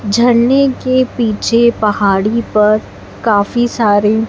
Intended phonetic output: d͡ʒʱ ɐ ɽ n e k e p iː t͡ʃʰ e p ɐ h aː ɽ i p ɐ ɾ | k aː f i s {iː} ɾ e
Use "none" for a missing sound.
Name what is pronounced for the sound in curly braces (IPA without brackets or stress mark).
aː